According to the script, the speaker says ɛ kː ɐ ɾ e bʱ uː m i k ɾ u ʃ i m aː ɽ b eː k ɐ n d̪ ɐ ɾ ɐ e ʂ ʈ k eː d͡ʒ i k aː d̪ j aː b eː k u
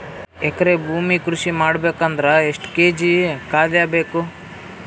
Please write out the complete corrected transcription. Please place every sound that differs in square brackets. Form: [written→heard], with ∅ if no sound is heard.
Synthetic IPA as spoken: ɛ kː ɐ ɾ e bʱ uː m i k ɾ u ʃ i m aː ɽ b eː k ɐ n d̪ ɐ ɾ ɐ e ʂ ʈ k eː d͡ʒ i k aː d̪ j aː b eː k u

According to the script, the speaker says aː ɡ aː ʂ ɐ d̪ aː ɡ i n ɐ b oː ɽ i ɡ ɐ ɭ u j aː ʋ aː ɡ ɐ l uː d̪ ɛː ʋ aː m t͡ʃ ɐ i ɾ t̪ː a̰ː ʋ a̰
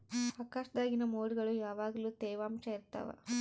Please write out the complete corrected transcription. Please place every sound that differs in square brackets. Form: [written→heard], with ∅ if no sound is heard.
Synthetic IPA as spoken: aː [ɡ→k] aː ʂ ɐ d̪ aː ɡ i n ɐ [b→m] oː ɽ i ɡ ɐ ɭ u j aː ʋ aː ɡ ɐ l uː [d̪→t̪] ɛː ʋ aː m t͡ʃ ɐ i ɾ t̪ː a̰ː ʋ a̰

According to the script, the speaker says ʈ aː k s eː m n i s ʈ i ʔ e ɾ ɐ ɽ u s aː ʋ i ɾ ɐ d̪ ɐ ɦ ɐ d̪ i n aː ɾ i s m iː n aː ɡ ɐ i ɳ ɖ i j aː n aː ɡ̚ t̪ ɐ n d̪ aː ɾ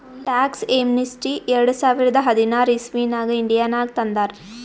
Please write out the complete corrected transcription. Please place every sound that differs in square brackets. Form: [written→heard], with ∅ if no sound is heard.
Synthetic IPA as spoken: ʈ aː k s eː m n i s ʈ i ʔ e ɾ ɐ ɽ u s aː ʋ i ɾ ɐ d̪ ɐ ɦ ɐ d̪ i n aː ɾ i s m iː n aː ɡ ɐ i ɳ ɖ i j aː n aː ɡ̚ t̪ ɐ n d̪ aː ɾ

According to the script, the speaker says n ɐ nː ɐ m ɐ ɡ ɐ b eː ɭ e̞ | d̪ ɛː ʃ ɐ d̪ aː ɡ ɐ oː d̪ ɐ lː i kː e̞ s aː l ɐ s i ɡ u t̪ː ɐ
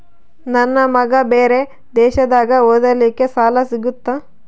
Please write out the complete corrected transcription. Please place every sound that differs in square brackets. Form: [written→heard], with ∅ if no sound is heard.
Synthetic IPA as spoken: n ɐ nː ɐ m ɐ ɡ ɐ b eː [ɭ→ɾ] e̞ | d̪ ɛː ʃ ɐ d̪ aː ɡ ɐ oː d̪ ɐ [lː→l] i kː e̞ s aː l ɐ s i ɡ u t̪ː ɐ

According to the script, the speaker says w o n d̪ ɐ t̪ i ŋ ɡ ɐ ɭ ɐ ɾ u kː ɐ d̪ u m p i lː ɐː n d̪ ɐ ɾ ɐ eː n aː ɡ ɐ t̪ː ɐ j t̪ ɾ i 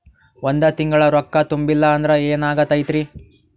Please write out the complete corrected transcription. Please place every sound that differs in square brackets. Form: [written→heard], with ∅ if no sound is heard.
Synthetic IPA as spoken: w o n d̪ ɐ t̪ i ŋ ɡ ɐ ɭ ɐ ɾ [u→ɔ] kː ɐ [d̪→t̪] u m [p→b] i lː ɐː n d̪ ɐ ɾ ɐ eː n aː ɡ ɐ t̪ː ɐ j t̪ ɾ i

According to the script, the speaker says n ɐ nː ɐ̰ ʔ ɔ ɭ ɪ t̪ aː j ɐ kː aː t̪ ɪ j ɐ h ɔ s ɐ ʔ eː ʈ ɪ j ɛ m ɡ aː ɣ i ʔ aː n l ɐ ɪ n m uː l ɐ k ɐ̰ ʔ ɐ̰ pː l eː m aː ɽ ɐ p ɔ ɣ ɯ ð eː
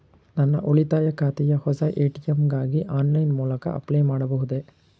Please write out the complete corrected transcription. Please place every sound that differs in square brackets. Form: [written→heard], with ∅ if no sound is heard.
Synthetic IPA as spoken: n ɐ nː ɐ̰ ʔ ɔ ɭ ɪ t̪ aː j ɐ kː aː t̪ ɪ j ɐ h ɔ s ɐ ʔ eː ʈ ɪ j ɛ m ɡ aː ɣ i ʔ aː n l ɐ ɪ n m uː l ɐ k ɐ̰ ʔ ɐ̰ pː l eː m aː ɽ ɐ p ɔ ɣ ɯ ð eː

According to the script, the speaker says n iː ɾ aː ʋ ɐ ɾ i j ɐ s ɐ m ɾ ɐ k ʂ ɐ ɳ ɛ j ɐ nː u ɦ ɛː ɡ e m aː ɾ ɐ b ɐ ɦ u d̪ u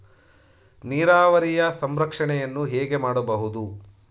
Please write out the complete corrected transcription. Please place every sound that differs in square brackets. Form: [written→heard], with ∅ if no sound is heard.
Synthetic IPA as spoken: n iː ɾ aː ʋ ɐ ɾ i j ɐ s ɐ m ɾ ɐ k ʂ ɐ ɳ ɛ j ɐ nː u ɦ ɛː ɡ e m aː [ɾ→ɽ] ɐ b ɐ ɦ u d̪ u

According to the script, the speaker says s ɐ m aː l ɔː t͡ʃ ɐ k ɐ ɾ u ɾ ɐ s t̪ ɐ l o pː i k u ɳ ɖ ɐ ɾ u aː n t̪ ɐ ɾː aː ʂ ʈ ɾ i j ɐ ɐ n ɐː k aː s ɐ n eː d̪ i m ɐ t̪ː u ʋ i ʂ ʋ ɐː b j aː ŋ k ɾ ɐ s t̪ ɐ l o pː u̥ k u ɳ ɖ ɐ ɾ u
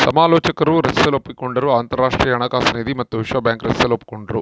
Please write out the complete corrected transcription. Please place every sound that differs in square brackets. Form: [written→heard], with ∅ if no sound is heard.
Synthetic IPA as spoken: s ɐ m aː l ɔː t͡ʃ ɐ k ɐ ɾ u ɾ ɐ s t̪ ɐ l o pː i k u ɳ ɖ ɐ ɾ u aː n t̪ ɐ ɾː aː ʂ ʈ ɾ i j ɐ ɐ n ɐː k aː s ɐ n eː d̪ i m ɐ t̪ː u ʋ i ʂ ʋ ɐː b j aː ŋ k ɾ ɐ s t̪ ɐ l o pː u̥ k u ɳ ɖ ɐ ɾ u

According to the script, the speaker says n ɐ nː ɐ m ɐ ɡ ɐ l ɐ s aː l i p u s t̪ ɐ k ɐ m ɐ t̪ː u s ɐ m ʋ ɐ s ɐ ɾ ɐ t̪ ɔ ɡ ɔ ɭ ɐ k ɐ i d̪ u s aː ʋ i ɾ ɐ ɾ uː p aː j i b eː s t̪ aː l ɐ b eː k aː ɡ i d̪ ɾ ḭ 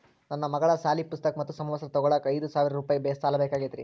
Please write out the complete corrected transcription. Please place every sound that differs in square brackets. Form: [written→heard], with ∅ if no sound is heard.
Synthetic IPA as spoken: n ɐ nː ɐ m ɐ ɡ ɐ [l→ɭ] ɐ s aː l i p u s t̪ ɐ k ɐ m ɐ t̪ː u s ɐ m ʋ ɐ s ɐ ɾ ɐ t̪ ɔ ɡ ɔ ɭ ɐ k ɐ [i→j] d̪ u s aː ʋ i ɾ ɐ ɾ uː p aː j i b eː s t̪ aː l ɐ b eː k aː ɡ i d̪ ɾ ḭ

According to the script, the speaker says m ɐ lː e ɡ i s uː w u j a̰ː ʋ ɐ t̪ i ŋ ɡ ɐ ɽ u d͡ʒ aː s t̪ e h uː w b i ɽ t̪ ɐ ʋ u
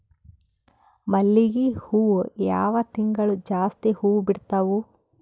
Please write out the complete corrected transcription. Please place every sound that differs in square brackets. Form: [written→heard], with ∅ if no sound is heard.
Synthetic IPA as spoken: m ɐ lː [e→i] ɡ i [s→h] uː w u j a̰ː ʋ ɐ t̪ i ŋ ɡ ɐ [ɽ→ɭ] u d͡ʒ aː s t̪ [e→i] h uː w b i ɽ t̪ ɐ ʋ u

